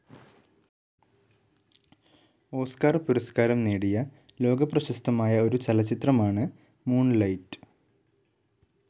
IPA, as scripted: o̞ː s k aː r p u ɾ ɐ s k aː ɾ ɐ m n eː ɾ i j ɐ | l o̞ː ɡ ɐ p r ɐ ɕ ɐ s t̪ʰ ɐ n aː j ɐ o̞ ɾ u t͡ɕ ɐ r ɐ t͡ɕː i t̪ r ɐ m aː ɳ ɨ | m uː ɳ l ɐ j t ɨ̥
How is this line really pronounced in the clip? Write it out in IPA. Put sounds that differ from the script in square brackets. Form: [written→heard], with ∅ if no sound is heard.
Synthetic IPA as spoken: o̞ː s k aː r p u ɾ ɐ s k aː ɾ ɐ m n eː [ɾ→ɽ] i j ɐ | l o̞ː ɡ ɐ p r ɐ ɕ ɐ s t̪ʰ ɐ [n→m] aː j ɐ o̞ ɾ u t͡ɕ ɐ [r→l] ɐ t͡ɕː i t̪ r ɐ m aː ɳ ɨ | m uː ɳ l ɐ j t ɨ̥